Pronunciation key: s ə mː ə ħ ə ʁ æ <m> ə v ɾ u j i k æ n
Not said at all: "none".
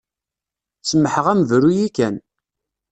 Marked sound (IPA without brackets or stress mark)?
m